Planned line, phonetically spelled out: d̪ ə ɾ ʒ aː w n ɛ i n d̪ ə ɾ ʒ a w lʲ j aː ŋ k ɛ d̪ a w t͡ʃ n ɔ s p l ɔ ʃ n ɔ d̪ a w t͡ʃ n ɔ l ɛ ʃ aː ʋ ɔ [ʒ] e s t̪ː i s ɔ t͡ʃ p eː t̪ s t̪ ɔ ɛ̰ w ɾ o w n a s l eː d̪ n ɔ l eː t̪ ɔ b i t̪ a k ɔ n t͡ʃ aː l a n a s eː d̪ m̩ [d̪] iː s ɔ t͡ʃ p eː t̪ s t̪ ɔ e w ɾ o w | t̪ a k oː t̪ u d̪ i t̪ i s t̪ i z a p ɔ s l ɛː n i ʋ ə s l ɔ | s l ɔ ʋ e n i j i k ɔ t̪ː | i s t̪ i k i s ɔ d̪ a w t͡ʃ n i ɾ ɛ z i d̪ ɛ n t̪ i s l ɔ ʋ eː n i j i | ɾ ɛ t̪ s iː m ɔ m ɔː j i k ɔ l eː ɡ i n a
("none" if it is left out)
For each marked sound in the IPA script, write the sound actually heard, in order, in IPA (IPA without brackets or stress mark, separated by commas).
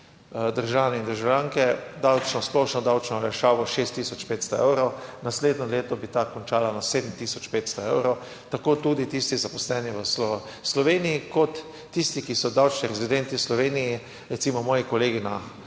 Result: ʃ, t̪